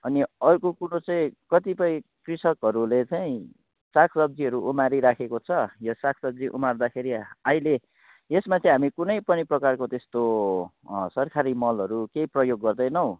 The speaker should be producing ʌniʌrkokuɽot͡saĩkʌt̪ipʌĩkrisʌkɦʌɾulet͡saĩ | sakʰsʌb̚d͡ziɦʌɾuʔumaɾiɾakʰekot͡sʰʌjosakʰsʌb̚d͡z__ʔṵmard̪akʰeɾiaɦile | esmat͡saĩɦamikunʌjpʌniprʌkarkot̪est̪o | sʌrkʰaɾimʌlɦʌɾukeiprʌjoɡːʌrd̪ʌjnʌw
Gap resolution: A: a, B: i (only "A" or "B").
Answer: B